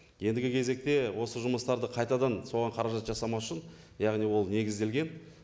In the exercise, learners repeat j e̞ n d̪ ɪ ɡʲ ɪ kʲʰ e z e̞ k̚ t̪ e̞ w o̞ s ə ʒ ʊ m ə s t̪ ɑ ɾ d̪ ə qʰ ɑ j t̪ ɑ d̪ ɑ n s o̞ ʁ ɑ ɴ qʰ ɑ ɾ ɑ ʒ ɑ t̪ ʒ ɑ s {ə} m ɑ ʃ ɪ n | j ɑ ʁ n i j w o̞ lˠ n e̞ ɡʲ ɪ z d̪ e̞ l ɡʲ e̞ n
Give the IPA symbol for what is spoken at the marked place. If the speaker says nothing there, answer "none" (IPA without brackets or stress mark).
ɑ